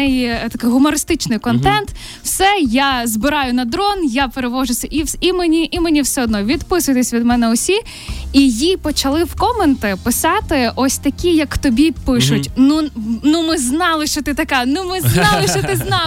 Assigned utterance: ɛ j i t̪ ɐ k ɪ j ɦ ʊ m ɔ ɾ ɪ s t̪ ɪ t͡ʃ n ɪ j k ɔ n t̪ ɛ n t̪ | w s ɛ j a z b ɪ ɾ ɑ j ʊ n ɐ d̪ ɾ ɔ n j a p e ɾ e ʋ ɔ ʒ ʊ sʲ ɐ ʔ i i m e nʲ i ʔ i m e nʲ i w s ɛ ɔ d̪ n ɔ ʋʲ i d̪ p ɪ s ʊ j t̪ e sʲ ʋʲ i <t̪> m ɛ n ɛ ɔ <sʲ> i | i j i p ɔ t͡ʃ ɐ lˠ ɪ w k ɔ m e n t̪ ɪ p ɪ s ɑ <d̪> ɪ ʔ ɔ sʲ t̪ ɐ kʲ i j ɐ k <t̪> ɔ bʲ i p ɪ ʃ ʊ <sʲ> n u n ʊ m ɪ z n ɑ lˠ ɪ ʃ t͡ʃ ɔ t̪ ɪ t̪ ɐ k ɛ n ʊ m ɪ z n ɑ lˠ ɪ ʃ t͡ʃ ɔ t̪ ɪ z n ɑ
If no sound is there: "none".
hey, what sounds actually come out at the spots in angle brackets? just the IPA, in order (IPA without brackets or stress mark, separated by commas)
d̪, sʲ, t̪, t̪, tʲ